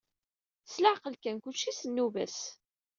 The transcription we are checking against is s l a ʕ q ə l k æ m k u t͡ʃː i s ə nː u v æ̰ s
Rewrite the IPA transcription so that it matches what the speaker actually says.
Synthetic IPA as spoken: s l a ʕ q ə l k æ n k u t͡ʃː i s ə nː u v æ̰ s